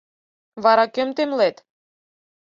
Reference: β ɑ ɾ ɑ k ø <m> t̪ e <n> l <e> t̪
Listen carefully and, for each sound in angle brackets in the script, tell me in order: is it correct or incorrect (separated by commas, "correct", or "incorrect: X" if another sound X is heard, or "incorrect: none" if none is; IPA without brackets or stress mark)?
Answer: correct, incorrect: m, correct